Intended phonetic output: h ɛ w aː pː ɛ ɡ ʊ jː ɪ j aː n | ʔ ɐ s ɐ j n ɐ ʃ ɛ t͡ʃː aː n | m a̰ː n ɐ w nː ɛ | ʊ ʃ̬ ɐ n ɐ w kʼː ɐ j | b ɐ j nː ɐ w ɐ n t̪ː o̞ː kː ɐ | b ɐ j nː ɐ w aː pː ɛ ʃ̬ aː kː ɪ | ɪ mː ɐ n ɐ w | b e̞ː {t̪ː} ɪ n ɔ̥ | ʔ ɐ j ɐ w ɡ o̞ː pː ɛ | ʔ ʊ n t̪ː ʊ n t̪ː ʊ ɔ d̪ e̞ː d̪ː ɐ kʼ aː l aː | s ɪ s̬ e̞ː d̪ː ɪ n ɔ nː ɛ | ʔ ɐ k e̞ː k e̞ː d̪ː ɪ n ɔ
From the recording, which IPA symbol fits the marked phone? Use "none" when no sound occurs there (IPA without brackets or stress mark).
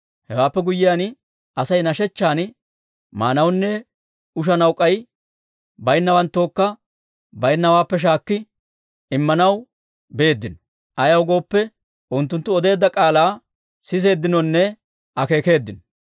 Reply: d̪ː